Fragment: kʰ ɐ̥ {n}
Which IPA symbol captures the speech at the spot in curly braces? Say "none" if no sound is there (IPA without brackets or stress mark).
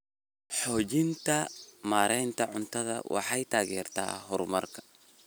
none